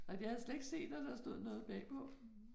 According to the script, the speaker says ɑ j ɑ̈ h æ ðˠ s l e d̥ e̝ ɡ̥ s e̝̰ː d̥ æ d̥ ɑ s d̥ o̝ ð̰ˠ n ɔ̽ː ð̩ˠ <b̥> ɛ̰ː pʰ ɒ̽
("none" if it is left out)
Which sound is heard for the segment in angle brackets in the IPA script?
b̥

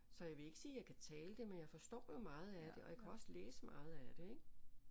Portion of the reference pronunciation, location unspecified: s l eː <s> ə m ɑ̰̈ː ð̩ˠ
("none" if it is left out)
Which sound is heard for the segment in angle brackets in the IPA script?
s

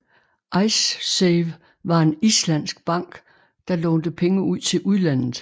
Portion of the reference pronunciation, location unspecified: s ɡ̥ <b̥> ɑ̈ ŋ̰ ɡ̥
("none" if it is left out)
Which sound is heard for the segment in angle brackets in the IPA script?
b̥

